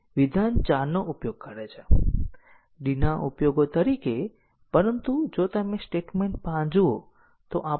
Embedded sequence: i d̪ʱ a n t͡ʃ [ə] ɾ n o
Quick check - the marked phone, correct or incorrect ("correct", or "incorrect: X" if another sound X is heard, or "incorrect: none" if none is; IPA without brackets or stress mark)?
incorrect: a